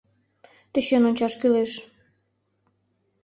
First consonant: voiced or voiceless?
voiceless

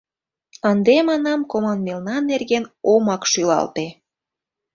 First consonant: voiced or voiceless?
voiced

